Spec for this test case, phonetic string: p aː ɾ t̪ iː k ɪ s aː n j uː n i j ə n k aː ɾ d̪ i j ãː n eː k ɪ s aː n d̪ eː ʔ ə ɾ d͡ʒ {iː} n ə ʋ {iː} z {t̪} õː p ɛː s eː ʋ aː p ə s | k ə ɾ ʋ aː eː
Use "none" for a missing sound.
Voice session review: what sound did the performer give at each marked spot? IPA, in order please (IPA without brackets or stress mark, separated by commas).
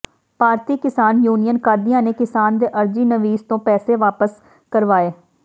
iː, iː, t̪